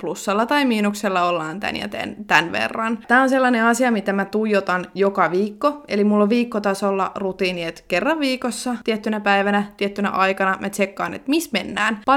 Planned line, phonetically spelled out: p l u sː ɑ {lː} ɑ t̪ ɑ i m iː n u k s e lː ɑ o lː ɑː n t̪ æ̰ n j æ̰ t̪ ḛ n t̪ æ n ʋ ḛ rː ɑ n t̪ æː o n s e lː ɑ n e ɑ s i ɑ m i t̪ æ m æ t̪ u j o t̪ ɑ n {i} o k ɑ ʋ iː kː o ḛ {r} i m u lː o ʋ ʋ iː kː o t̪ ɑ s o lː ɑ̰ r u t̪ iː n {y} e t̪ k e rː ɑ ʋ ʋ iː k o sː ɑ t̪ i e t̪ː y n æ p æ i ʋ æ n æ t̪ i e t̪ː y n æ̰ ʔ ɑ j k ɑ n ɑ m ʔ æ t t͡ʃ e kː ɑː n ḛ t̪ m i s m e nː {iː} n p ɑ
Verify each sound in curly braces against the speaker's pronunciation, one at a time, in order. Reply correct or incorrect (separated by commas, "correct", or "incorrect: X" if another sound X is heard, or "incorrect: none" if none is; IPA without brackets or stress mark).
correct, incorrect: j, incorrect: l, incorrect: i, incorrect: æː